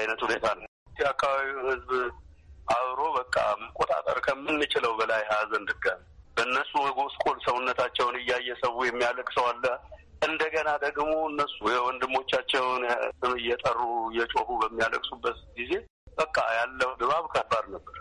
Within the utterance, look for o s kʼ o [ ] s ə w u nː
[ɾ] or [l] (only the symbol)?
l